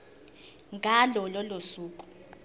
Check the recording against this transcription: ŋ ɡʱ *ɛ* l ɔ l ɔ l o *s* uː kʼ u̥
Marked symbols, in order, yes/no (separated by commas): no, yes